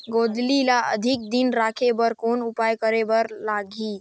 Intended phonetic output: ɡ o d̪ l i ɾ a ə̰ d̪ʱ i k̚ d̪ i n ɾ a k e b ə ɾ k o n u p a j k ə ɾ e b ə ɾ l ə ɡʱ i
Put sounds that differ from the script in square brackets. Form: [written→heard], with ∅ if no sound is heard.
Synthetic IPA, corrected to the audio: ɡ o d̪ l i [ɾ→l] a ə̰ d̪ʱ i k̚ d̪ i n ɾ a [k→kʰ] e b ə ɾ k o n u p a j k ə ɾ e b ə ɾ l [ə→a] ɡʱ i